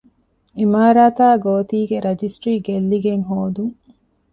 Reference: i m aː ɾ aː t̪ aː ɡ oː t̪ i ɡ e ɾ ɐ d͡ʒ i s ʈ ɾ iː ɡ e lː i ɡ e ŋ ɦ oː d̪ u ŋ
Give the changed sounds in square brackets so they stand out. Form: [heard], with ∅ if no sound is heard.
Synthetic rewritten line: i m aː ɾ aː t̪ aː ɡ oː t̪ [iː] ɡ e ɾ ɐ d͡ʒ i s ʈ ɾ iː ɡ e lː i ɡ e ŋ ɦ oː d̪ u ŋ

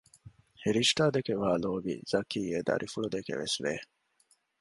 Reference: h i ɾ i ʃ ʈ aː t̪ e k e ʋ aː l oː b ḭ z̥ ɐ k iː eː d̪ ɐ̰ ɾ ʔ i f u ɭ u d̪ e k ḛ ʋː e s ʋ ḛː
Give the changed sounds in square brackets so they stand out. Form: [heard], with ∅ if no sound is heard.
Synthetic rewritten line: h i ɾ i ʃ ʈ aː [d̪] e k e ʋ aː l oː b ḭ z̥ ɐ k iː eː d̪ ɐ̰ ɾ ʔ i f u ɭ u d̪ e k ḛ [ʋ] e s ʋ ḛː

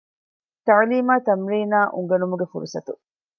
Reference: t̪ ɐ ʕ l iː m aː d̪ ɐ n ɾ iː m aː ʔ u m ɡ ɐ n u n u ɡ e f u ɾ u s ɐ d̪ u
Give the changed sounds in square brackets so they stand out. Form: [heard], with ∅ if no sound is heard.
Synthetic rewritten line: t̪ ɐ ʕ l iː m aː [t̪] ɐ [m] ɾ iː [n] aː ʔ u [ŋ] ɡ ɐ n u [m] u ɡ e f u ɾ u s ɐ [t̪] u

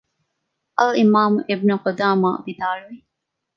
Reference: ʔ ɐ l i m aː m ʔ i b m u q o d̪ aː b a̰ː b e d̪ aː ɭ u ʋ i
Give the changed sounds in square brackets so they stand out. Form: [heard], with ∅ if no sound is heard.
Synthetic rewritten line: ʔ ɐ l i m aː m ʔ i b [n] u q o d̪ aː [m] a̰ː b [i] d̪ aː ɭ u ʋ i

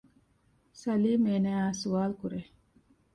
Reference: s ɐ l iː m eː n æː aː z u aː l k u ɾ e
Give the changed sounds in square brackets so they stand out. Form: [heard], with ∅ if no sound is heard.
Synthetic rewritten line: s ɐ l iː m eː n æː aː [s] u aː l k u ɾ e

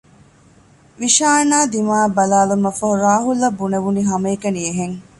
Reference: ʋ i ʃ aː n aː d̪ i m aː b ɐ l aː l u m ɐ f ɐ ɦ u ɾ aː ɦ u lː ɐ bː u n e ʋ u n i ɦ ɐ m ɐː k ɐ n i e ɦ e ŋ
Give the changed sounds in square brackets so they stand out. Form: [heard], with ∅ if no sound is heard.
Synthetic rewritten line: ʋ i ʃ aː n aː d̪ i m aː b ɐ l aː l u m ɐ f ɐ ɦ u ɾ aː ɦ u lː ɐ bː u n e ʋ u n i ɦ ɐ m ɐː k ɐ n i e ɦ e ŋ

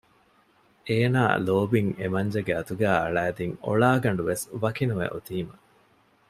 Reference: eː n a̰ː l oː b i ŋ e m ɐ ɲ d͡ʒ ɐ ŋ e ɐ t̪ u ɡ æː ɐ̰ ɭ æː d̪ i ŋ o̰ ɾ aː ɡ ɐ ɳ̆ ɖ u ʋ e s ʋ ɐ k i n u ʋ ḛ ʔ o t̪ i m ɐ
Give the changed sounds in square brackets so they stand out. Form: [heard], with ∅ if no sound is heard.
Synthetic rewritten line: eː n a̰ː l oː b i ŋ e m ɐ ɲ d͡ʒ ɐ [ɡ] e ɐ t̪ u ɡ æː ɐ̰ ɭ æː d̪ i ŋ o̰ [ɭ] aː ɡ ɐ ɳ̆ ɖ u ʋ e s ʋ ɐ k i n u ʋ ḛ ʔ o t̪ [iː] m ɐ

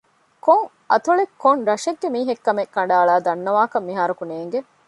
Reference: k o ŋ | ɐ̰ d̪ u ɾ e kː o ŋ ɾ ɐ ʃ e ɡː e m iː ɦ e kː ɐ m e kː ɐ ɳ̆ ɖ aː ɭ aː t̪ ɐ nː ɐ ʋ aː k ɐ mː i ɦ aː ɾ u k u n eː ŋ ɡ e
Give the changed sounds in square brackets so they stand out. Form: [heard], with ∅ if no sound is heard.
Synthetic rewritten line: k o ŋ | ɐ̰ [t̪] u [ɭ] e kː o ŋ ɾ ɐ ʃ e ɡː e m iː ɦ e kː ɐ m e kː ɐ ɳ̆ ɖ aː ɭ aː [d̪] ɐ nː ɐ ʋ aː k ɐ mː i ɦ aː ɾ u k u n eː ŋ ɡ e

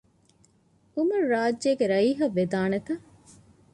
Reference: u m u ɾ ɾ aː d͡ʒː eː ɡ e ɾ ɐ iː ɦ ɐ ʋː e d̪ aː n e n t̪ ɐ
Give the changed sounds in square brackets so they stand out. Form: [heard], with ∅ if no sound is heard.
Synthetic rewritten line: u m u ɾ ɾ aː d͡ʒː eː ɡ e ɾ ɐ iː ɦ ɐ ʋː e d̪ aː n e [∅] t̪ ɐ

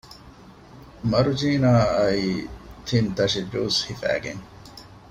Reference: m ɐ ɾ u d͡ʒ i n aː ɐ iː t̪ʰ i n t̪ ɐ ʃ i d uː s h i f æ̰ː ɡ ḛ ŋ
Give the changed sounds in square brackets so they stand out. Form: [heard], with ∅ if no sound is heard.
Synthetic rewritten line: m ɐ ɾ u d͡ʒ [iː] n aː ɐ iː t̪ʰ i n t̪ ɐ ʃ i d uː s h i f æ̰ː ɡ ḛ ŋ

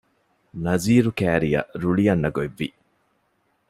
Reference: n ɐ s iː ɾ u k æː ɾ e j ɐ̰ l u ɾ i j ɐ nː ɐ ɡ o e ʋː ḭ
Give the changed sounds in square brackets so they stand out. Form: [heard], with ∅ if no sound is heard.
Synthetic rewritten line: n ɐ [z] iː ɾ u k æː ɾ [i] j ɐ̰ [ɾ] u [ɭ] i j ɐ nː ɐ ɡ o e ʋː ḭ

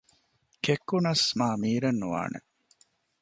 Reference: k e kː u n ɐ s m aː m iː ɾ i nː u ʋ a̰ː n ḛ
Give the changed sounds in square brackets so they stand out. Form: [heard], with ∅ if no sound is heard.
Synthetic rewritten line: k e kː u n ɐ s m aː m iː ɾ [e] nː u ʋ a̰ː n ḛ

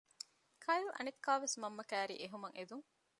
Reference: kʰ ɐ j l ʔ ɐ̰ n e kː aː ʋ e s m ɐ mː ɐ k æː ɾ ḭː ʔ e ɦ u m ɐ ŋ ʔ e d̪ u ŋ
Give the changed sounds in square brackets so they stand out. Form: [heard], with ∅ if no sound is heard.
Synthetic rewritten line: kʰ ɐ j l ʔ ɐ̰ n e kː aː ʋ e s m ɐ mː ɐ k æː ɾ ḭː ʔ e ɦ u m ɐ ŋ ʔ e d̪ u ŋ

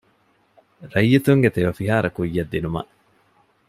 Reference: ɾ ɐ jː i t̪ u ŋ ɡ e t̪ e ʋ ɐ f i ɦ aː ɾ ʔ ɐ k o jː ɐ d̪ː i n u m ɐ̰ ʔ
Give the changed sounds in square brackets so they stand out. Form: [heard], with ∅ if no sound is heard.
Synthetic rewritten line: ɾ ɐ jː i t̪ u ŋ ɡ e t̪ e ʋ ɐ f i ɦ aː ɾ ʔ ɐ k [u] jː ɐ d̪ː i n u m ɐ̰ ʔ

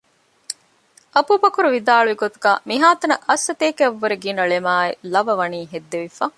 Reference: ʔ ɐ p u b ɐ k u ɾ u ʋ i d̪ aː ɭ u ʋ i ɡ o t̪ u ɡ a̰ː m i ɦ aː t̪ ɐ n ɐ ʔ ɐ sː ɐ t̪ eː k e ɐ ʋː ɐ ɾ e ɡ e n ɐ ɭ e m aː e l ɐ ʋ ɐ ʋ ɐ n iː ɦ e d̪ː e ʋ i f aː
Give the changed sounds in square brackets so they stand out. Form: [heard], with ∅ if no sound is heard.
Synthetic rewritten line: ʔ ɐ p u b ɐ k u ɾ u ʋ i d̪ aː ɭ u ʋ i ɡ o t̪ u ɡ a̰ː m i ɦ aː t̪ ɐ n ɐ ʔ ɐ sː ɐ t̪ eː k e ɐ ʋː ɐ ɾ e ɡ [i] n ɐ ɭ e m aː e l ɐ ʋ ɐ ʋ ɐ n iː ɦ e d̪ː e ʋ i f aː

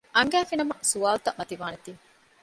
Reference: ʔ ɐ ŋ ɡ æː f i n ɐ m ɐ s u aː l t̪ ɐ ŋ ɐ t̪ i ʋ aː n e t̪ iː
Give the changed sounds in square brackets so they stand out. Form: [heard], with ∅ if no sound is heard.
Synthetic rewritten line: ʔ ɐ ŋ ɡ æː f i n ɐ m ɐ s u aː l t̪ ɐ [m] ɐ t̪ i ʋ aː n e t̪ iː

